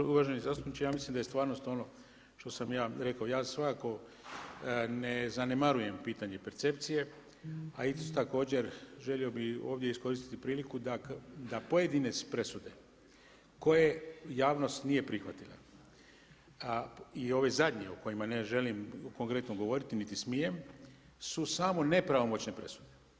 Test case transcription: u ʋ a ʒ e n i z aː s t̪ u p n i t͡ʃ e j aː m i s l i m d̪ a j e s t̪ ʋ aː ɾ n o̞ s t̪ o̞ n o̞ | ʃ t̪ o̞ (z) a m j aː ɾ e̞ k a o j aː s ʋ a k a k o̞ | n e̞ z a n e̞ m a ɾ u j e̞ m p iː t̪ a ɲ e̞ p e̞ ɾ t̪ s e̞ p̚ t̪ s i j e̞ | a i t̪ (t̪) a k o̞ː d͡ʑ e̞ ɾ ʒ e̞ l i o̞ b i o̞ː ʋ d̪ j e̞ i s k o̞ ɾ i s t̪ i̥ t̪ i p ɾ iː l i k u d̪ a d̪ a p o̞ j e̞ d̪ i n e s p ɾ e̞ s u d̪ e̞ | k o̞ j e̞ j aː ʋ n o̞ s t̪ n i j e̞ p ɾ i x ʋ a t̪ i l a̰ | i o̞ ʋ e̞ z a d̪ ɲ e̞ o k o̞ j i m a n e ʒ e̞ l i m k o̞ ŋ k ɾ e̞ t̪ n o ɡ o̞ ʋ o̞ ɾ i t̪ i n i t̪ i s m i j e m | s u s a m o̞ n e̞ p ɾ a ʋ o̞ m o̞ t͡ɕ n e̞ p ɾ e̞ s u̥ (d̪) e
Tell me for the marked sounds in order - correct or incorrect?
incorrect, correct, correct

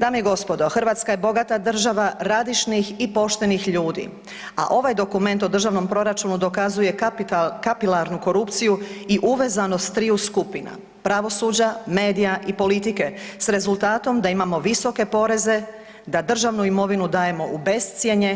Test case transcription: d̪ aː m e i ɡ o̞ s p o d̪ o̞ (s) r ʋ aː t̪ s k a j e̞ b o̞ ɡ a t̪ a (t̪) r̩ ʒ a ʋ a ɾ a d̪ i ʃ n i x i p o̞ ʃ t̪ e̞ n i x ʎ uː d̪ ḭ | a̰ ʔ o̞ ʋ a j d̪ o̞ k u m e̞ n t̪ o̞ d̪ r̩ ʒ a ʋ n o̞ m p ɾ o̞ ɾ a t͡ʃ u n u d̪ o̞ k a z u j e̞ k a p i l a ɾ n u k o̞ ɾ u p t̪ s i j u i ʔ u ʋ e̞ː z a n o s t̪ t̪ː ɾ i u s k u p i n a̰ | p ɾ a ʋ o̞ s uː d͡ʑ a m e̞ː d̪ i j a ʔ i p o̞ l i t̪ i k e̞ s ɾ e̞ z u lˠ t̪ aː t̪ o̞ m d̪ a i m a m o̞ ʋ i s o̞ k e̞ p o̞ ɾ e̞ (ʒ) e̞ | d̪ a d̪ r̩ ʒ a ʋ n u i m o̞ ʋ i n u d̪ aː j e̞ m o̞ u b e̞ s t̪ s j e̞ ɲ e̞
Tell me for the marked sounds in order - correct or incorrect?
incorrect, incorrect, incorrect

